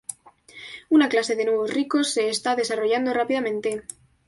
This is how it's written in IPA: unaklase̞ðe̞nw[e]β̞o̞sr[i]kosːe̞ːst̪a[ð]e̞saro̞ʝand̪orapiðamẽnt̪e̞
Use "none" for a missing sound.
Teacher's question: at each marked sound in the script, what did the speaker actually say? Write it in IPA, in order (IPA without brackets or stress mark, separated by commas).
e, i, ð